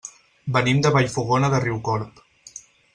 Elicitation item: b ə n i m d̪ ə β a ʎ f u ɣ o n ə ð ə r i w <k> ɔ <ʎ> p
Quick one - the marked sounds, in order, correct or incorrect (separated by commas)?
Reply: correct, incorrect